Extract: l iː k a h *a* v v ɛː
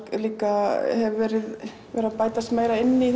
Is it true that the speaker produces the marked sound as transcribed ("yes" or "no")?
no